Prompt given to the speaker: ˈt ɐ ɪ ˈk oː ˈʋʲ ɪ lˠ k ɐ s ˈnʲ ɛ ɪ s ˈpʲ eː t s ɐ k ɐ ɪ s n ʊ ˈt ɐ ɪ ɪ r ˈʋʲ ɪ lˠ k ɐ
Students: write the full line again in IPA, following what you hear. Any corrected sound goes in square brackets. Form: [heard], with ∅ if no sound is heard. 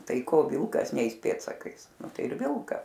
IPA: ˈt ɐ ɪ ˈk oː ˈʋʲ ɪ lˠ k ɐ s ˈnʲ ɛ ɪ s ˈpʲ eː t s ɐ k ɐ ɪ s n ʊ ˈt ɐ ɪ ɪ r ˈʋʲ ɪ lˠ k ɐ